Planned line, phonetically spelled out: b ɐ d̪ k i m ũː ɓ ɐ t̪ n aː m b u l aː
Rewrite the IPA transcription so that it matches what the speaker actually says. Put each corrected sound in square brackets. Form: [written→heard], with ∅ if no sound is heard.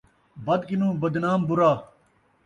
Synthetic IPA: b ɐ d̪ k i [m→n] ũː [ɓ→b] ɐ [t̪→d̪] n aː m b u [l→ɾ] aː